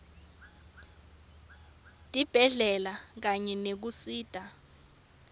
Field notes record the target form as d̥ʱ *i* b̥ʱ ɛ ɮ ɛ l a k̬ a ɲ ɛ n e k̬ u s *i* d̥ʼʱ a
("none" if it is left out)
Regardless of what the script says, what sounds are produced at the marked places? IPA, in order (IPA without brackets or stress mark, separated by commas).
i, iː